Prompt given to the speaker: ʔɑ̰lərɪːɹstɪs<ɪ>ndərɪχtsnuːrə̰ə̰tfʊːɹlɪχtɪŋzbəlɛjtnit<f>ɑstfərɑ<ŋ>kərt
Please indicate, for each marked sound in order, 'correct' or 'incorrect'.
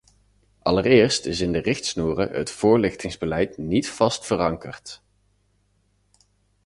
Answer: correct, correct, correct

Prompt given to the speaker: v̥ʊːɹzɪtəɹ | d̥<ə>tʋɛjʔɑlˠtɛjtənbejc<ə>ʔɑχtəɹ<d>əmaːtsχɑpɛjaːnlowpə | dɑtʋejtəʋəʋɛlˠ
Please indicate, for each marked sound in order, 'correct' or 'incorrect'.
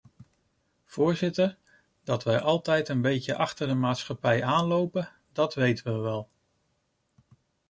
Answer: incorrect, correct, correct

